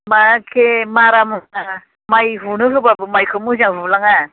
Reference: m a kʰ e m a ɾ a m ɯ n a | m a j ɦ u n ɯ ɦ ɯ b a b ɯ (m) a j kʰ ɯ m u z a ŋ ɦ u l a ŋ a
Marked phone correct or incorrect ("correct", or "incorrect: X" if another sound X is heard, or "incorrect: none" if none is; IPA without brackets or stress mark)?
correct